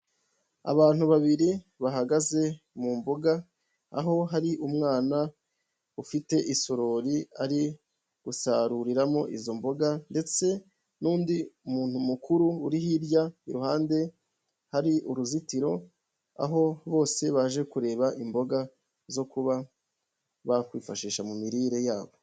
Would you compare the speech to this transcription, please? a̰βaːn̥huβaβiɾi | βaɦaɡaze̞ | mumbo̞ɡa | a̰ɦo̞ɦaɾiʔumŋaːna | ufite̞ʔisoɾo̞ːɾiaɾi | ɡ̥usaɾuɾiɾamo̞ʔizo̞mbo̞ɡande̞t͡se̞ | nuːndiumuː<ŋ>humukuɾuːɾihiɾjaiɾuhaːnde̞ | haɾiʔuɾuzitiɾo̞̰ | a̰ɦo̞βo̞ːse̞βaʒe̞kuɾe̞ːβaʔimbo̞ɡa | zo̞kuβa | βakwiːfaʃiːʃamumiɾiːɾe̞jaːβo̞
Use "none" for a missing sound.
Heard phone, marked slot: n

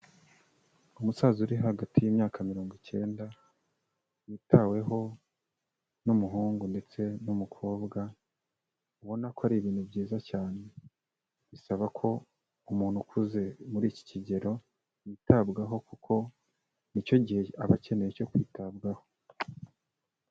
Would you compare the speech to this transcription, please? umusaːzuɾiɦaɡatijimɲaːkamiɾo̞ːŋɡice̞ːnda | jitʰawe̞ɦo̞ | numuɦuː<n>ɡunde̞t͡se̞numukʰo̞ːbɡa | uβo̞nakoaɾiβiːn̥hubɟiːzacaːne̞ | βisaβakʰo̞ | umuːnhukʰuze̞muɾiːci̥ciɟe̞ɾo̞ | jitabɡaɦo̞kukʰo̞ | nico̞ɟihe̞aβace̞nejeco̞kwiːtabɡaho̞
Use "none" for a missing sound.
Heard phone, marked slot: ŋ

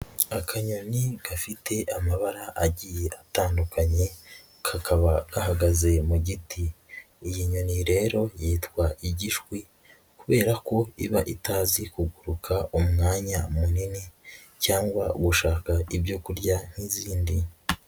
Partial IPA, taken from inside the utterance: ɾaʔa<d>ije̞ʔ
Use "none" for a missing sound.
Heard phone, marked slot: ɟ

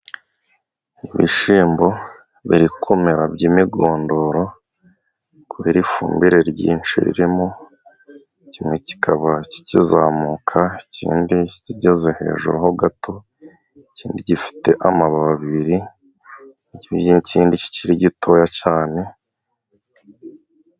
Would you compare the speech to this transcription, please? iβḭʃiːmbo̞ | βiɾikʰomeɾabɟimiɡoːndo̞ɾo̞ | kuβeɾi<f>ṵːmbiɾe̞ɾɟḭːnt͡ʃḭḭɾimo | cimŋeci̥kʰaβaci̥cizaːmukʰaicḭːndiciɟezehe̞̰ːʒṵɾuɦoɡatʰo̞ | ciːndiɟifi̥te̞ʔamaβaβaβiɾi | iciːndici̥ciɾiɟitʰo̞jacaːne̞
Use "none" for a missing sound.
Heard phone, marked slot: f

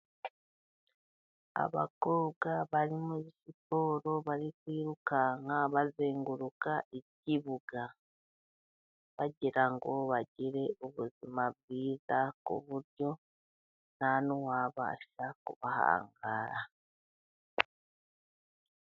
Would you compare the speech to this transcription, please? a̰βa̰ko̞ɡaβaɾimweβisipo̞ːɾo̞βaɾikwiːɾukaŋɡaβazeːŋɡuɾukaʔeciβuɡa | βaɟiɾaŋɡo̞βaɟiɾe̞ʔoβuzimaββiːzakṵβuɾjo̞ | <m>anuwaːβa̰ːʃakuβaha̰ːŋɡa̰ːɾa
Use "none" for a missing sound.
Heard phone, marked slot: n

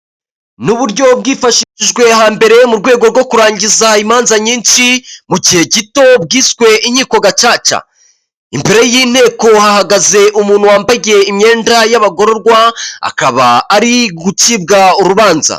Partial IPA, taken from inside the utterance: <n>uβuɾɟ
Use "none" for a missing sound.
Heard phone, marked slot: n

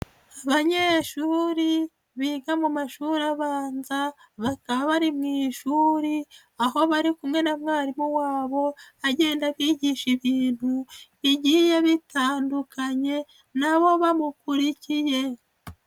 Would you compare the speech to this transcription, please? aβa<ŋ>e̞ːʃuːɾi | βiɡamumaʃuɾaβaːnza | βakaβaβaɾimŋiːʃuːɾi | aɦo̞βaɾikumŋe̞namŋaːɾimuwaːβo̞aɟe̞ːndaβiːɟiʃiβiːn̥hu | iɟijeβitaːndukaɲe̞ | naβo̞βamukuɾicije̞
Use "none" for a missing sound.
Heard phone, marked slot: ɲ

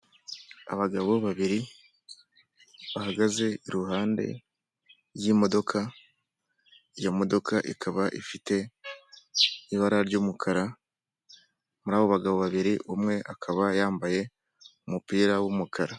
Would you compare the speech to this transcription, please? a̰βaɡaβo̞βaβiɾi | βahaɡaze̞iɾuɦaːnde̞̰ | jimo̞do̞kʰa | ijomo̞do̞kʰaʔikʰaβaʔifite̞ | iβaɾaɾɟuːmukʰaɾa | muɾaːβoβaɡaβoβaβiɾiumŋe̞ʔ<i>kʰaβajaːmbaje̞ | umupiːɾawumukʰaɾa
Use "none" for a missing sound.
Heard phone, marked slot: a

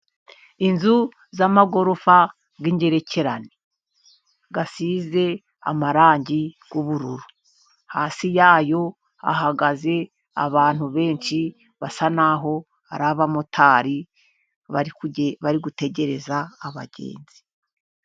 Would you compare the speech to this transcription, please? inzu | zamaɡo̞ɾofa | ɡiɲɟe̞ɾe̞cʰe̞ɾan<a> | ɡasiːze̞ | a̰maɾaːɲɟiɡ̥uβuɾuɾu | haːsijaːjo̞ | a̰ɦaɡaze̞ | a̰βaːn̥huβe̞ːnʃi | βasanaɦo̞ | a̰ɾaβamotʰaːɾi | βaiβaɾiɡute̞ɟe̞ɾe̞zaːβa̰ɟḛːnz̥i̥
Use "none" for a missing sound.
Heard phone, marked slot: e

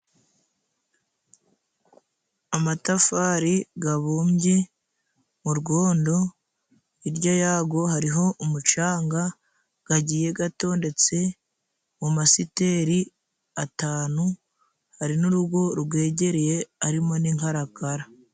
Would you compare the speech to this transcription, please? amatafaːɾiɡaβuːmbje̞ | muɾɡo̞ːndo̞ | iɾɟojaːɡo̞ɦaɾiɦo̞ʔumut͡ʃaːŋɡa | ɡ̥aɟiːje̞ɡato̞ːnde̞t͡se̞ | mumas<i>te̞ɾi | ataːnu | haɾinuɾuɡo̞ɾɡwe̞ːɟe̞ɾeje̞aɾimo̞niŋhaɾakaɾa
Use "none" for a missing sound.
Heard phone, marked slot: i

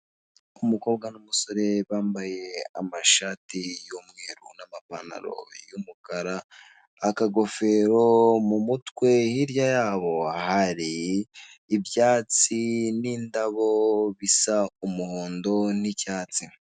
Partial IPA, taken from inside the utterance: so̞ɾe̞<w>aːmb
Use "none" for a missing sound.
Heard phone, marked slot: β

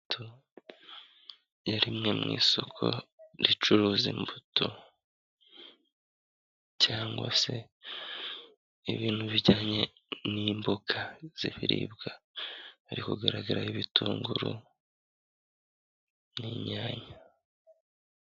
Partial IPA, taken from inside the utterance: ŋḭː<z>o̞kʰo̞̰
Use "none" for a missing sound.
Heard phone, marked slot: s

